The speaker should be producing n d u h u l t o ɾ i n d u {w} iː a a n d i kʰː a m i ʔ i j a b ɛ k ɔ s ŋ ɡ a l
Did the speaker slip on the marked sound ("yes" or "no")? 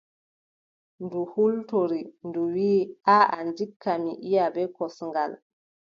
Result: no